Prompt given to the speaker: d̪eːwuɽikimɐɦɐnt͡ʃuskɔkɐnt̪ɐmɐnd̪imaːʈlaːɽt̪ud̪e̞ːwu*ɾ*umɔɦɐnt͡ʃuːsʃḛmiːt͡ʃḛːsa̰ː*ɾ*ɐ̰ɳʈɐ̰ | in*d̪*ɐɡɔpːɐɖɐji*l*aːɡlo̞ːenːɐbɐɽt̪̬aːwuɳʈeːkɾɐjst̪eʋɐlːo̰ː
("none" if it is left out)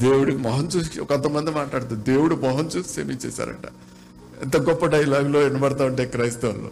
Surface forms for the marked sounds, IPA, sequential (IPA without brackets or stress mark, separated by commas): ɽ, ɾ, t̪, l